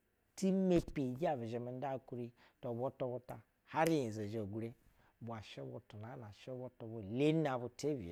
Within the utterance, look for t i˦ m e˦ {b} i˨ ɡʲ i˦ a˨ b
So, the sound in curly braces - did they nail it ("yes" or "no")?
no